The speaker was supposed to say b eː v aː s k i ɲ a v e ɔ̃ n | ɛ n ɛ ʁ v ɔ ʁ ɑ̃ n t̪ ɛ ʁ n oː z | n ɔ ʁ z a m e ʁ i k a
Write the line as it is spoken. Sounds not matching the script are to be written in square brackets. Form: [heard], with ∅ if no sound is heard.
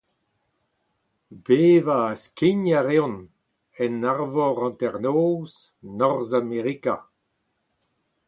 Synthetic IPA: b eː v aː s k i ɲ a [ʁ] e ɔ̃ n | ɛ n [a] ʁ v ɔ ʁ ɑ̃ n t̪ ɛ ʁ n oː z | n ɔ ʁ z a m e ʁ i k a